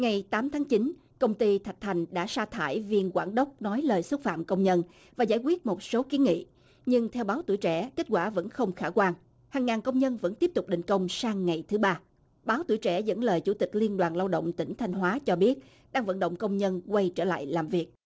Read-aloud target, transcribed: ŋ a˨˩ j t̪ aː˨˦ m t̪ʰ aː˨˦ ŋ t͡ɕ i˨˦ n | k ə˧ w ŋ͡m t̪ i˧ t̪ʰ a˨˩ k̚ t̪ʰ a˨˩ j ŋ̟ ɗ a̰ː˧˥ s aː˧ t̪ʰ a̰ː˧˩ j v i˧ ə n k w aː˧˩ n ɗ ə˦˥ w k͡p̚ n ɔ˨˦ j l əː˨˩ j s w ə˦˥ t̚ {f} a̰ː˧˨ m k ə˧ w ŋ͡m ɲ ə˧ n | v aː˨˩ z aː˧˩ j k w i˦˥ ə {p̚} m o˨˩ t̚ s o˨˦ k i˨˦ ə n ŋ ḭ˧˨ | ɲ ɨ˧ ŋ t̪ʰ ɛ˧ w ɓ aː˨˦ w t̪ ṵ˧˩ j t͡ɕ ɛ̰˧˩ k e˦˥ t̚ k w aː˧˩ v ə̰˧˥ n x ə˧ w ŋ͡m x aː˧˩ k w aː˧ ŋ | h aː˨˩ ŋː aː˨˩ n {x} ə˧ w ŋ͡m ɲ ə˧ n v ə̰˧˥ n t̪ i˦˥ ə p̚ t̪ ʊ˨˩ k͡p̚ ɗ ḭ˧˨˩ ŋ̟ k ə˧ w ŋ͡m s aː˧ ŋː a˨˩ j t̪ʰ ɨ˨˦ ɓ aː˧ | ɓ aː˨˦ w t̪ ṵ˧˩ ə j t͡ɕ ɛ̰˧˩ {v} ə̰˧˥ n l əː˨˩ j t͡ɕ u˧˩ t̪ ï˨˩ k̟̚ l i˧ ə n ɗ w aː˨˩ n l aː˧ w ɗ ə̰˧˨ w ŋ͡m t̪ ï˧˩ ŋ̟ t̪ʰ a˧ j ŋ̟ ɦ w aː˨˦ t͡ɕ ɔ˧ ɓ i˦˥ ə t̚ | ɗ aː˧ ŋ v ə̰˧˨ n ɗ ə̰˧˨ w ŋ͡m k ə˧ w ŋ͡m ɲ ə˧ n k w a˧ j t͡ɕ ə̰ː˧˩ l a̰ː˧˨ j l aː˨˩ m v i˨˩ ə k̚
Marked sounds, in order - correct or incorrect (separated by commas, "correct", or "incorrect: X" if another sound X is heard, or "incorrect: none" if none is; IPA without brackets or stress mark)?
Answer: correct, incorrect: t̚, incorrect: k, incorrect: z